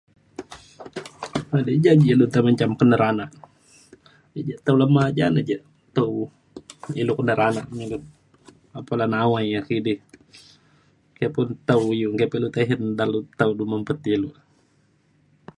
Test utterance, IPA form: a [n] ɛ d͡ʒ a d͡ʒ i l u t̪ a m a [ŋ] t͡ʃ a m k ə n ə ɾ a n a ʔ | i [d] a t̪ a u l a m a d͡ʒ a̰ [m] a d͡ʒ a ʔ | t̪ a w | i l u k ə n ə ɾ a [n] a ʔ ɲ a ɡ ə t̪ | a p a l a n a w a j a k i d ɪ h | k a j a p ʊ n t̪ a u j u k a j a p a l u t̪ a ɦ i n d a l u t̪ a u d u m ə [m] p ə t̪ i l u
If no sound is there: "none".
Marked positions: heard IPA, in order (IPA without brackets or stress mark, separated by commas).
d, ɲ, d͡ʒ, n, n, m